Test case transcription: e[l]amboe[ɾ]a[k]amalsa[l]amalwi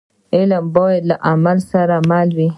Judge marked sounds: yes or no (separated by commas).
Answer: yes, no, no, no